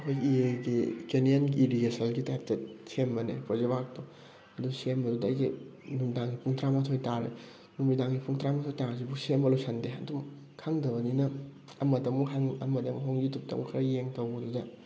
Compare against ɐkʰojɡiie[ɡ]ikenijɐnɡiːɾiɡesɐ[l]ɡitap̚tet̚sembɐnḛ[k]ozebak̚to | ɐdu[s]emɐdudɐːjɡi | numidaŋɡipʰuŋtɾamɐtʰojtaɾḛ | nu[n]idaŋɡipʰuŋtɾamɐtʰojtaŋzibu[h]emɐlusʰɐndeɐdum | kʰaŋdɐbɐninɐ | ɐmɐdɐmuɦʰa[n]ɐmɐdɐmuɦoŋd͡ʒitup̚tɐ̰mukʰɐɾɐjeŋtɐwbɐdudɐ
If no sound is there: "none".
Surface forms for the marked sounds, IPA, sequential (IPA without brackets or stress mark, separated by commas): ɡ, l, p, s, m, s, ŋ